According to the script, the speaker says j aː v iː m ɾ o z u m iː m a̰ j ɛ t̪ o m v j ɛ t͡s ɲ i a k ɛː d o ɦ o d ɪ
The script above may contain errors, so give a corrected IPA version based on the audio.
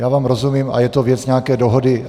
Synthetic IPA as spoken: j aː v aː m ɾ o z u m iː m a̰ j ɛ t̪ o v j ɛ t͡s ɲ ɛ a k ɛː d o ɦ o d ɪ